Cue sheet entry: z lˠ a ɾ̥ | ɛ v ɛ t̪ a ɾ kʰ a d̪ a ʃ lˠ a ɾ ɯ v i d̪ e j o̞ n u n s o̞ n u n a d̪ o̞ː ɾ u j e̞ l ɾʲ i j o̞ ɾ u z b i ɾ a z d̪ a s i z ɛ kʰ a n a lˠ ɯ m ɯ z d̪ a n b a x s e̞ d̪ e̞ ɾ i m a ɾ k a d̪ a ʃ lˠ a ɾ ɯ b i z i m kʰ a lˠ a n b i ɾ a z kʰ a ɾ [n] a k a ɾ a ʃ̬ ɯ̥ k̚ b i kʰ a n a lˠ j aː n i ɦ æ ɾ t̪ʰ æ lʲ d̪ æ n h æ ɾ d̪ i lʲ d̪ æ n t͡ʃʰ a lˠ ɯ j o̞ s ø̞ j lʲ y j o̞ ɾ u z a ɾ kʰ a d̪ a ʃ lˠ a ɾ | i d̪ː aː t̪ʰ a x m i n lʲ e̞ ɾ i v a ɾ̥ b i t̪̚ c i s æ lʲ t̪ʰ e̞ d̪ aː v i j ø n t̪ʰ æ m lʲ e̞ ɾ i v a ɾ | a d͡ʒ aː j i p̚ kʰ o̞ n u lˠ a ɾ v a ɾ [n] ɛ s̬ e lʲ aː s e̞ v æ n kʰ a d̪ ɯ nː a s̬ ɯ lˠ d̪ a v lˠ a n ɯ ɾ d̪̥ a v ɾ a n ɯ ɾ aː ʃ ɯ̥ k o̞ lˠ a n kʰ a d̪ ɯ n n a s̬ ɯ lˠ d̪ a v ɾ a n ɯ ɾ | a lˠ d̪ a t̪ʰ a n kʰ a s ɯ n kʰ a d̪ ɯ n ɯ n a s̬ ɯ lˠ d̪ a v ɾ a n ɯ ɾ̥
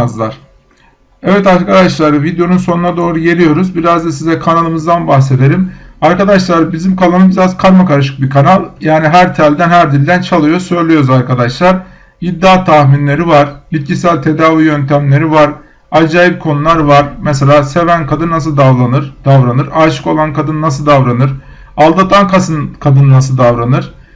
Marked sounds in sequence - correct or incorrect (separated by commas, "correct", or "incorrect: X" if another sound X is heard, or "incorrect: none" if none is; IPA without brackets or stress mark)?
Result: incorrect: m, incorrect: m